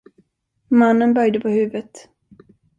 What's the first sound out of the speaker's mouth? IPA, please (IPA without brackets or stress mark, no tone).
m